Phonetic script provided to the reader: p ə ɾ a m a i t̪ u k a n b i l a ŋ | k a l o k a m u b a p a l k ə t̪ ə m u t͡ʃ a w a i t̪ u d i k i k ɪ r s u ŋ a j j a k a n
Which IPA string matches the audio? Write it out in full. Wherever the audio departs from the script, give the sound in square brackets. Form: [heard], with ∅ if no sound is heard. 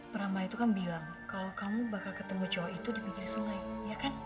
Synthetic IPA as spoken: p ə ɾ a m a i t̪ u k a n b i l a ŋ | k a l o k a m u b a [k] a l k ə t̪ ə m u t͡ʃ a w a i t̪ u d i [p] i k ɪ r s u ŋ a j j a k a n

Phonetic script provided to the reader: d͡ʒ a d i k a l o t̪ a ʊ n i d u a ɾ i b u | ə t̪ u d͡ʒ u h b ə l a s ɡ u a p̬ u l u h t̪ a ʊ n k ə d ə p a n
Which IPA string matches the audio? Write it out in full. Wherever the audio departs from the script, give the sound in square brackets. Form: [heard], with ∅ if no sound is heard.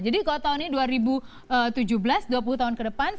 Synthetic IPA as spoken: d͡ʒ a d i k a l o t̪ a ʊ n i d u a ɾ i b u | ə t̪ u d͡ʒ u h b ə l a s [d] u a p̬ u l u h t̪ a ʊ n k ə d ə p a n

